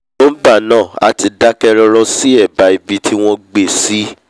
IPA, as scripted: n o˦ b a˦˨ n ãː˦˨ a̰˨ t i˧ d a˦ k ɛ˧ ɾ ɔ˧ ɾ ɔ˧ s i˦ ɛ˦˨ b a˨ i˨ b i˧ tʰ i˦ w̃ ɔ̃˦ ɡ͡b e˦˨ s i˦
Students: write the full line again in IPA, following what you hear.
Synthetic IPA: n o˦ b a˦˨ n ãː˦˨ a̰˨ t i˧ d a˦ k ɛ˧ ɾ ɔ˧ ɾ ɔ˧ s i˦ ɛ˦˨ b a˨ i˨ b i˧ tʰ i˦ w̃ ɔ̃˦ ɡ͡b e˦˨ s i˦